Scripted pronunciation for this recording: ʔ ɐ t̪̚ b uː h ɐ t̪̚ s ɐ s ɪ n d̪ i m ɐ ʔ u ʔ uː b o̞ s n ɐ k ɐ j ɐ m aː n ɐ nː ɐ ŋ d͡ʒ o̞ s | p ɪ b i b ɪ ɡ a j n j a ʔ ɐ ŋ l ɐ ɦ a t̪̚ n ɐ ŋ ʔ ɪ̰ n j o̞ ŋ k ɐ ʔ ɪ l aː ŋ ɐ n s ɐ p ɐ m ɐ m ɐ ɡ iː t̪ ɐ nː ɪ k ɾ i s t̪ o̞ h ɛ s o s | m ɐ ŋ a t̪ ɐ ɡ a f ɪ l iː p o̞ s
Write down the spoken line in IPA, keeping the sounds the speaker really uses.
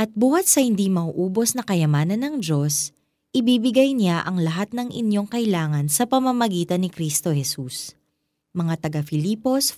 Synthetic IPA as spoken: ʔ ɐ t̪̚ b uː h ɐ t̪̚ s ɐ h ɪ n d̪ i m ɐ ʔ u ʔ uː b o̞ s n ɐ k ɐ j ɐ m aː n ɐ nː ɐ ŋ d͡ʒ o̞ s | ʔ ɪ b i b ɪ ɡ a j n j a ʔ ɐ ŋ l ɐ ɦ a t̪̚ n ɐ ŋ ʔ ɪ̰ n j o̞ ŋ k ɐ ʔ ɪ l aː ŋ ɐ n s ɐ p ɐ m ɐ m ɐ ɡ iː t̪ ɐ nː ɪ k ɾ i s t̪ o̞ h ɛ s u s | m ɐ ŋ a t̪ ɐ ɡ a f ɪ l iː p o̞ s